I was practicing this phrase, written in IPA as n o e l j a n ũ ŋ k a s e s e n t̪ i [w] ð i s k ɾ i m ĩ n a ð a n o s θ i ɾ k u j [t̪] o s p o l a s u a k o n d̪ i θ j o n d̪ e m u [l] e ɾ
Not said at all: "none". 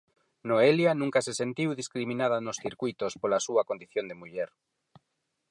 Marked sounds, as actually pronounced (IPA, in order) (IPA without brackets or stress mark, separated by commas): w, t̪, ʎ